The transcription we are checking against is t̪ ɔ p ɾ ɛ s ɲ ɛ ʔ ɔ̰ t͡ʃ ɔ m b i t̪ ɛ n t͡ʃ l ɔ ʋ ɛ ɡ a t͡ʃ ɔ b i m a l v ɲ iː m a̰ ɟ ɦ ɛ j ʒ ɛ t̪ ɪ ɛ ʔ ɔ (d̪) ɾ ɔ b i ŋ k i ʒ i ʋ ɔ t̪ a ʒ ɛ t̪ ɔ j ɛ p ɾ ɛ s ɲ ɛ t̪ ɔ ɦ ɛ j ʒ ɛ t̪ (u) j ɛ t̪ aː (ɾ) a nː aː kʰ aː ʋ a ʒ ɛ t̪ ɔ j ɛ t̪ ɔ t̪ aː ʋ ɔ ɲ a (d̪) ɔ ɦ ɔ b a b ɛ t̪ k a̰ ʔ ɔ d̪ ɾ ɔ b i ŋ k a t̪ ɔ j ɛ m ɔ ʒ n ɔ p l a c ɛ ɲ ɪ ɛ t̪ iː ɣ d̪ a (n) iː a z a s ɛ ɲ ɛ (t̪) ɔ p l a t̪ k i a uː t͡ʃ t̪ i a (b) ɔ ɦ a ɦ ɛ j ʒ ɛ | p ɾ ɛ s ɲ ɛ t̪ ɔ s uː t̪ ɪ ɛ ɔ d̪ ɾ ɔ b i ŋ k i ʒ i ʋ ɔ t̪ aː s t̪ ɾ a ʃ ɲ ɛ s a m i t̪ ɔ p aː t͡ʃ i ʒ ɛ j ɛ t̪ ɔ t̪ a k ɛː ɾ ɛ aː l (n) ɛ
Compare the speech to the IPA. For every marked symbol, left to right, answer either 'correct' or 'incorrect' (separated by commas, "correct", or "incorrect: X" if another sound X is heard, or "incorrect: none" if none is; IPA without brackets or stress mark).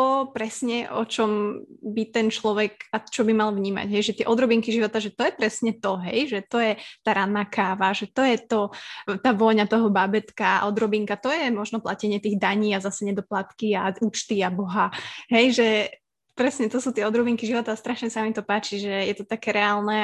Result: correct, incorrect: ɔ, correct, incorrect: t̪, incorrect: ɲ, incorrect: d̪, correct, correct